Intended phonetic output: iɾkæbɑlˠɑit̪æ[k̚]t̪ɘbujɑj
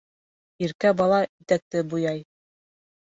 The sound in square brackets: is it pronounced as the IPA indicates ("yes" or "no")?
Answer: yes